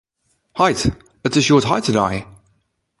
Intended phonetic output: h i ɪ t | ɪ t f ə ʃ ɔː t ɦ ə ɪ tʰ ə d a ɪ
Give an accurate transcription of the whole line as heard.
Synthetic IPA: h a ɪ t | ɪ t s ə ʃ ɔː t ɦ a ɪ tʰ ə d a ɪ